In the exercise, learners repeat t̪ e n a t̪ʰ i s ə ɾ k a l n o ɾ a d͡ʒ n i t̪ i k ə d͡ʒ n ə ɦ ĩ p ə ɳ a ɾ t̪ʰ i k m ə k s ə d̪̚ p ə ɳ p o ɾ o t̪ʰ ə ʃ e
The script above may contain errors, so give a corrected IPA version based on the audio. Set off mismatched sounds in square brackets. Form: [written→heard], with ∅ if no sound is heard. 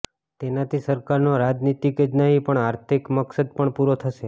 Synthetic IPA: t̪ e n a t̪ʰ i s ə ɾ k a [l→ɾ] n o ɾ a d͡ʒ n i t̪ i k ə d͡ʒ n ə ɦ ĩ p ə ɳ a ɾ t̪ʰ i k m ə k s ə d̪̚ p ə ɳ p [o→u] ɾ o t̪ʰ ə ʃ e